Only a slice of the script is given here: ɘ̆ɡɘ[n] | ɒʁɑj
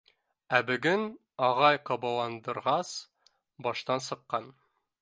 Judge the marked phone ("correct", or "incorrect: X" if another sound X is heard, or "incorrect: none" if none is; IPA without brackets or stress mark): correct